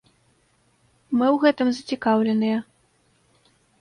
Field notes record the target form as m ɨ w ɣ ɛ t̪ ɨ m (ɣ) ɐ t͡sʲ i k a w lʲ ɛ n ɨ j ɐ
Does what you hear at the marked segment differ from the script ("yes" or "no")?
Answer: yes